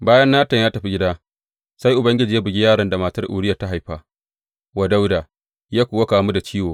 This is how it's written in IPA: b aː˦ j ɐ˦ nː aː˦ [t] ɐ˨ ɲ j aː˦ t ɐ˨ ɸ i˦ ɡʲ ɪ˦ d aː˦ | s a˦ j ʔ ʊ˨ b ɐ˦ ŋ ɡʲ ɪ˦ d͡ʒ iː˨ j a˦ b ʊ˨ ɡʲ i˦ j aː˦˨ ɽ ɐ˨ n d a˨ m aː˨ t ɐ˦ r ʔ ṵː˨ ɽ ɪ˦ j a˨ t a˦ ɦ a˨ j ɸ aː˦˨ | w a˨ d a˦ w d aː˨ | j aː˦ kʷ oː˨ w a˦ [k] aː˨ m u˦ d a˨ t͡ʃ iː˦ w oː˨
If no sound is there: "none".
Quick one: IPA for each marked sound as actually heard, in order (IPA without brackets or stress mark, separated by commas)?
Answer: t, k